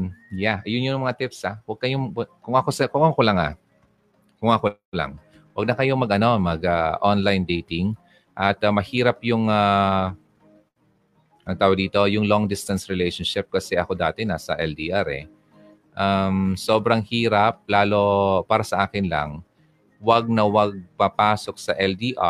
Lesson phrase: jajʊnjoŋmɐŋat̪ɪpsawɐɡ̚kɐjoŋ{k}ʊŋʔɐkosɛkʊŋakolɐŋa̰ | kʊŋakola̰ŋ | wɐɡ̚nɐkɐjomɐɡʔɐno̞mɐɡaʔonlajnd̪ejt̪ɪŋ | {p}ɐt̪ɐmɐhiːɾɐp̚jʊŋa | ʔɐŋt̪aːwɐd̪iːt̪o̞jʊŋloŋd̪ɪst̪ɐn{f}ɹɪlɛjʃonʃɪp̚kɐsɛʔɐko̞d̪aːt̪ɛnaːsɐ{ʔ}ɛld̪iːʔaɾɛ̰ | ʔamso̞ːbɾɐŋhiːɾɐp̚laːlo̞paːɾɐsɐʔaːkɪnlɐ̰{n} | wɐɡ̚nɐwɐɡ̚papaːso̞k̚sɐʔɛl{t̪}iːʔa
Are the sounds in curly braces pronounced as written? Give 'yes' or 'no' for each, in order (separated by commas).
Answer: yes, no, no, yes, no, no